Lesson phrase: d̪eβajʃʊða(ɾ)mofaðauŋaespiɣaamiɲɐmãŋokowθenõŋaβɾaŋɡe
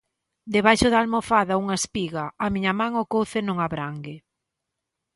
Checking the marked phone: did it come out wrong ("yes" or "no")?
yes